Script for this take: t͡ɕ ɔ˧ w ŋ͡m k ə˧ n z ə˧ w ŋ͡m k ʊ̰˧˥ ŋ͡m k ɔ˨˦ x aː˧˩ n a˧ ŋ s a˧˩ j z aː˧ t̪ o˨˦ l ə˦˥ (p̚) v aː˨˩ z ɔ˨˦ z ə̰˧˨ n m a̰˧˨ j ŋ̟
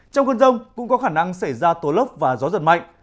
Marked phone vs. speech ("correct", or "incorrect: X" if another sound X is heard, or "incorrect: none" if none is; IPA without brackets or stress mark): correct